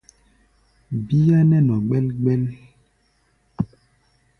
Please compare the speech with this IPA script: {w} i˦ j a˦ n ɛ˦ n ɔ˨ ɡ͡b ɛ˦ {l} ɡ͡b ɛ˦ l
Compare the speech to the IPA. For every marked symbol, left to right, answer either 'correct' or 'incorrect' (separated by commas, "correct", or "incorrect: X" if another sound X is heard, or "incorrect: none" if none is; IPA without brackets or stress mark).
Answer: incorrect: b, correct